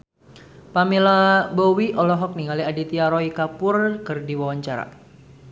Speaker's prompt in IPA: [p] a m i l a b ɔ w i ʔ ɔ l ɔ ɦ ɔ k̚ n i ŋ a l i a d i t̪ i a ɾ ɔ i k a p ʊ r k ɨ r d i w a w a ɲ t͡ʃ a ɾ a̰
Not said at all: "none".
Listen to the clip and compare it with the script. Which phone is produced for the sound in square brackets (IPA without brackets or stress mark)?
p